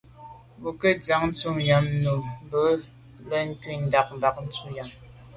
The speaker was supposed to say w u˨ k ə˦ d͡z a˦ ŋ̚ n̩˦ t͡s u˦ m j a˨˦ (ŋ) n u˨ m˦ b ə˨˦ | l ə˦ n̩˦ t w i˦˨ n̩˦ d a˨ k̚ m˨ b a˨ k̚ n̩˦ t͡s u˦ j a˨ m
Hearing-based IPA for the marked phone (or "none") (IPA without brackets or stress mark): m